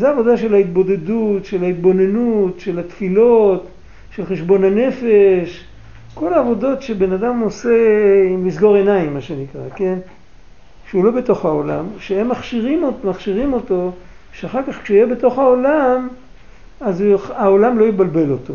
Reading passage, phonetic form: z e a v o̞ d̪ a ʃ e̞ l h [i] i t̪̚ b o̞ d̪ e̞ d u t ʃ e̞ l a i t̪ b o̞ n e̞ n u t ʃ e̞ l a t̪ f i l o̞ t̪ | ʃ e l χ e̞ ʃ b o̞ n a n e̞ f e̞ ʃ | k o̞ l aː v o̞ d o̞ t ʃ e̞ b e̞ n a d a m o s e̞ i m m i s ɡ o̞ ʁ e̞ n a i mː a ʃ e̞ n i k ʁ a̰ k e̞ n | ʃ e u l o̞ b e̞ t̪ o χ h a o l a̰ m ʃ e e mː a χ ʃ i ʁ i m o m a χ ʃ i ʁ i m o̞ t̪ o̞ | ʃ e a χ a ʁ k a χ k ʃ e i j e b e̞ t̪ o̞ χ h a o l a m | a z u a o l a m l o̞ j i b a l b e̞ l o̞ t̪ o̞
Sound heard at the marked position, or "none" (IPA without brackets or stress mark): a